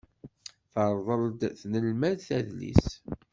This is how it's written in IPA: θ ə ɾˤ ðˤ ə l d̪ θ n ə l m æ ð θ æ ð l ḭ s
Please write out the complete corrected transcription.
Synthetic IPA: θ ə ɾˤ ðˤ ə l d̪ θ n ə l m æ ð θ æ ð l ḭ s

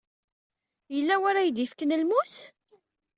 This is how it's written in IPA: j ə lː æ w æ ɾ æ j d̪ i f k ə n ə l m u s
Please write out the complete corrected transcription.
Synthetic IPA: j ə lː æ w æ ɾ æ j d̪ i f k ə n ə l m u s

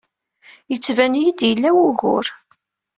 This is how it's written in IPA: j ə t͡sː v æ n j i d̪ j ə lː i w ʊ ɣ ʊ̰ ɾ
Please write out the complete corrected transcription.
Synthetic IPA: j ə t͡sː v æ n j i d̪ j ə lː æ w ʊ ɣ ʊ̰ ɾ

